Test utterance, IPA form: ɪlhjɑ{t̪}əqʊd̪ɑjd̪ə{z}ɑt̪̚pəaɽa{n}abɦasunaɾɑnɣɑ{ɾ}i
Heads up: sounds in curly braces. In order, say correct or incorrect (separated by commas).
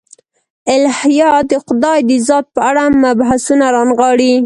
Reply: incorrect, correct, incorrect, incorrect